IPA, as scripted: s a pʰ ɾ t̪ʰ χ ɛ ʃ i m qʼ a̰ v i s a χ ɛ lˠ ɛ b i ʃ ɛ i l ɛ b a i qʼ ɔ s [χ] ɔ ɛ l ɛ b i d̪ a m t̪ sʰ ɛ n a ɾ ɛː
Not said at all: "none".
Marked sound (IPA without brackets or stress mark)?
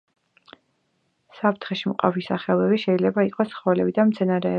χ